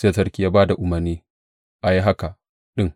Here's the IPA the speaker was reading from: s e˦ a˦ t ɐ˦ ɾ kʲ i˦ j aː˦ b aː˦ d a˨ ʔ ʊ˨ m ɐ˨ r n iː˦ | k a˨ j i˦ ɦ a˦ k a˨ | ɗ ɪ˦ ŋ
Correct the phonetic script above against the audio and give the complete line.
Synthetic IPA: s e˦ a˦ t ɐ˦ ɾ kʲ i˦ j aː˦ b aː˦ d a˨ ʔ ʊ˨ m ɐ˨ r n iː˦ | ʔ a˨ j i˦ ɦ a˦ k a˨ | ɗ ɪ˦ ŋ

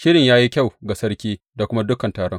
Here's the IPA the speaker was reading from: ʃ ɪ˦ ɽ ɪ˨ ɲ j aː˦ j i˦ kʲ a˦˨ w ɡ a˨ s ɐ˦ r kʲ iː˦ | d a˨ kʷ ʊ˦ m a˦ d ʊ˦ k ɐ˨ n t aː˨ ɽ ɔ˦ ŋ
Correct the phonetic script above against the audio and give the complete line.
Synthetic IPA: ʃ ɪ˦ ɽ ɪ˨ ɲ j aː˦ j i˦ kʲ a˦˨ w ɡ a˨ s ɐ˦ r kʲ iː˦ | d a˨ kʷ ʊ˦ m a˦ d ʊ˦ k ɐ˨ n t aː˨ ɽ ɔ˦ ŋ

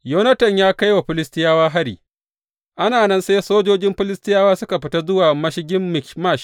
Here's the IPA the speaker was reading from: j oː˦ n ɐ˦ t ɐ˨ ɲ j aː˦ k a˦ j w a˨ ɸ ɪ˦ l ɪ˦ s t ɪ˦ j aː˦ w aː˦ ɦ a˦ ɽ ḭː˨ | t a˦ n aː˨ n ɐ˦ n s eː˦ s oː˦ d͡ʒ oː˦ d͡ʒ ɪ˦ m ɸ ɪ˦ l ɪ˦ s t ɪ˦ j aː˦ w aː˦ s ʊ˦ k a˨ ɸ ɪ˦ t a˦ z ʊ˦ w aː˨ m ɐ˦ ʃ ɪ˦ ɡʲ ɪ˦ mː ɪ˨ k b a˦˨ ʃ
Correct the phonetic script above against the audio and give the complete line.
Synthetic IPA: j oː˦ n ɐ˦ t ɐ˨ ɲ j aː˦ k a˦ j w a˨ ɸ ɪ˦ l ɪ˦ s t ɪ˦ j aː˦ w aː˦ ɦ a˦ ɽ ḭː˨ | ʔ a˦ n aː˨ n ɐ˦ n s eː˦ s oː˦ d͡ʒ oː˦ d͡ʒ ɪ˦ m ɸ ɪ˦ l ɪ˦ s t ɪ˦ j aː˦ w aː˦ s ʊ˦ k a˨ ɸ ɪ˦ t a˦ z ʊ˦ w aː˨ m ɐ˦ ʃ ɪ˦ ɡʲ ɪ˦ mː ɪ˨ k m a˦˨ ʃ

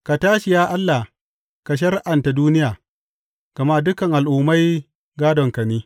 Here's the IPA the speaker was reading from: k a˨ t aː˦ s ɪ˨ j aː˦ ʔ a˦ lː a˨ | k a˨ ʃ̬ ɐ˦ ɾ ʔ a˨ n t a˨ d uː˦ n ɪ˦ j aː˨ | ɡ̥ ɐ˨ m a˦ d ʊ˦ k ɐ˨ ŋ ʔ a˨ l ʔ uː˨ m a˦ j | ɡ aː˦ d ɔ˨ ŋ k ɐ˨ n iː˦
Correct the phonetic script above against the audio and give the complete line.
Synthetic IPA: k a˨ t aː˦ ʃ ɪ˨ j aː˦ ʔ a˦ lː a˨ | k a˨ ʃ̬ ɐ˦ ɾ ʔ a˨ n t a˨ d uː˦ n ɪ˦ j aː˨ | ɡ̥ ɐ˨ m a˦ d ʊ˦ k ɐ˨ ŋ ʔ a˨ l ʔ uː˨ m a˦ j | ɡ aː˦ d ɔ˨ ŋ k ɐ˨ n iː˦

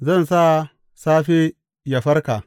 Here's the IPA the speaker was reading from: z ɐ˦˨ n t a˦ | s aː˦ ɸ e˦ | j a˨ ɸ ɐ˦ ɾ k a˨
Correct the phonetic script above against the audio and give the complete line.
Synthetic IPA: z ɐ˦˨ n s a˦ | s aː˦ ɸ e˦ | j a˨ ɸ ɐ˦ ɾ k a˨

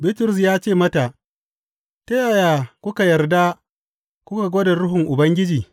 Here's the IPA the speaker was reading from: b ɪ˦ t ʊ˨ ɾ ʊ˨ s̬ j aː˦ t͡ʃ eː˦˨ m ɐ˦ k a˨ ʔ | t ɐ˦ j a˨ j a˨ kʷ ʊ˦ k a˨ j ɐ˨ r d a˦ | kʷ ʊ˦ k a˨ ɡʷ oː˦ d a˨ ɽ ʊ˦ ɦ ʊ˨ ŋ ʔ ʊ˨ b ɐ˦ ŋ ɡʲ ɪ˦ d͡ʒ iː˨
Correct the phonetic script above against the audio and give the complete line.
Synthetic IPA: b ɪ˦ t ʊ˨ ɾ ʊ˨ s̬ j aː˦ t͡ʃ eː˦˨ m ɐ˦ t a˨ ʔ | t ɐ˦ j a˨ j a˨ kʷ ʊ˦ k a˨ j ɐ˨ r d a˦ | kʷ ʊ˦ k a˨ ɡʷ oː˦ d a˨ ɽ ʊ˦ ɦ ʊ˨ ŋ ʔ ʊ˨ b ɐ˦ ŋ ɡʲ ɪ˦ d͡ʒ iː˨

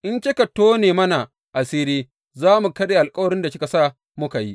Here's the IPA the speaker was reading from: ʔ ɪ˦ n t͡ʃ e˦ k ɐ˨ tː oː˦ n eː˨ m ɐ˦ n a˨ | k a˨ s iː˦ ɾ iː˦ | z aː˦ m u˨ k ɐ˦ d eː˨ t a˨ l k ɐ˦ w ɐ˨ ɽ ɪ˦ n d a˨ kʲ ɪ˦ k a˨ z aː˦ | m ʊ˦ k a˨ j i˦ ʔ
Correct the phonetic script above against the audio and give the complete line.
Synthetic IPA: ʔ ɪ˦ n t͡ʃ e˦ k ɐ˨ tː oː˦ n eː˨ m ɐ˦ n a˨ | ʔ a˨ s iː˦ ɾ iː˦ | z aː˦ m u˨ k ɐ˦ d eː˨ ʔ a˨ l kʼ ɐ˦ w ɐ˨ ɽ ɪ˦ n d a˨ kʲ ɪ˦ k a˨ s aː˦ | m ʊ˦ k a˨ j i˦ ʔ

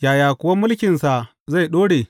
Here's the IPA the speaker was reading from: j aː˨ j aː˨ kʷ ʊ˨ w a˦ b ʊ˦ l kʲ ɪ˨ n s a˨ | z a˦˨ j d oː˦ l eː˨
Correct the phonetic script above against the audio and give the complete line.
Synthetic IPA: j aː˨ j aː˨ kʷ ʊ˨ w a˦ m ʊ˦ l kʲ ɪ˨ n s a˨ | z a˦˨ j ɗ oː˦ ɽ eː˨

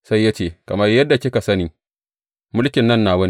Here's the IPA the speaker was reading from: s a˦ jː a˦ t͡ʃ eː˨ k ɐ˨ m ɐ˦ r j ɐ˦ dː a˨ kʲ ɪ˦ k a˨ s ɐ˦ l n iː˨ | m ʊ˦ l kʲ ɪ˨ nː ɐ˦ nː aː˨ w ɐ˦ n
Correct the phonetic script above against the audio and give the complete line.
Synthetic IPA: s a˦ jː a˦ t͡ʃ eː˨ k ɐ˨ m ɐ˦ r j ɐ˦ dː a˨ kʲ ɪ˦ k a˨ s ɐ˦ n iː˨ | m ʊ˦ l kʲ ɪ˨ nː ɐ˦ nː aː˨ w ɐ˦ n

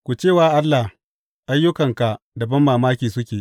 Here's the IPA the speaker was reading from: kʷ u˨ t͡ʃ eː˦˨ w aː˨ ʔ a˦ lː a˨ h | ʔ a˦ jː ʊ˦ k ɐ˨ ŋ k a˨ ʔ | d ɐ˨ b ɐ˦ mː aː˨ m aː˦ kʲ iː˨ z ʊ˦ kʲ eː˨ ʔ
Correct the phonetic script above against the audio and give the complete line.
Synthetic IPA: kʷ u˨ t͡ʃ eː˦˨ w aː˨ ʔ a˦ lː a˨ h | ʔ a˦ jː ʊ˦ k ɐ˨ ŋ k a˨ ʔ | d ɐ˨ b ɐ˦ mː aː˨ m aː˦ kʲ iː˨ s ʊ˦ kʲ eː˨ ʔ

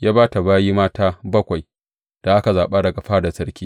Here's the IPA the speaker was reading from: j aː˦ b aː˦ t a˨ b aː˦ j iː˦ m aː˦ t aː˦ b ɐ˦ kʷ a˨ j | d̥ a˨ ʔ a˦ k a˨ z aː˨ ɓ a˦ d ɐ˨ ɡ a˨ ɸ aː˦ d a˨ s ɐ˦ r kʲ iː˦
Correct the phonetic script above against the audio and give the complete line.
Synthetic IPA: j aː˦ b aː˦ t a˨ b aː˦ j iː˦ m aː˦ t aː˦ b ɐ˦ kʷ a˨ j | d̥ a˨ ʔ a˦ k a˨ z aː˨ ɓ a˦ d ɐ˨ ɡ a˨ ɸ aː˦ d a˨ s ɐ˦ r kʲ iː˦

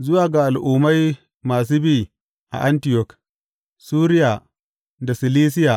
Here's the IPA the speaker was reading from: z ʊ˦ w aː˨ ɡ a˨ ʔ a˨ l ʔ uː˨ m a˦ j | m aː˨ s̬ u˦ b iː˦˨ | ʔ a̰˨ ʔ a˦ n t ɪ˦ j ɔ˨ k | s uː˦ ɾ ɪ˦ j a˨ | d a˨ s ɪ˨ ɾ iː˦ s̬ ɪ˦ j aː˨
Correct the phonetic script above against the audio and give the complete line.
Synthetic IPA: z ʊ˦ w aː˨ ɡ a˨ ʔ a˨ l ʔ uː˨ m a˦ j | m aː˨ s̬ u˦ b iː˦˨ | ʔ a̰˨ ʔ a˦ n t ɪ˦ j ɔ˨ k | s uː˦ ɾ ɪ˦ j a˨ | d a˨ s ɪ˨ l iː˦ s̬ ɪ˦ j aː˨

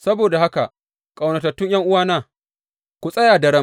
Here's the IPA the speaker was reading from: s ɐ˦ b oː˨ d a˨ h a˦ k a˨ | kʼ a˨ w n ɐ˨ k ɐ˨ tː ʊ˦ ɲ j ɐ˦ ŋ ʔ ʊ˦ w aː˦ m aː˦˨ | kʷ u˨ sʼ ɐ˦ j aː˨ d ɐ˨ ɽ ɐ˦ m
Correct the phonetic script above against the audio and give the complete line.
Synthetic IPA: s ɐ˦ b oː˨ d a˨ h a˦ k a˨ | kʼ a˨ w n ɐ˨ t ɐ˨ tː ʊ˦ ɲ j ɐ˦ ŋ ʔ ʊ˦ w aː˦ n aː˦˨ | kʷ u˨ sʼ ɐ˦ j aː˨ d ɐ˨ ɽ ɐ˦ m

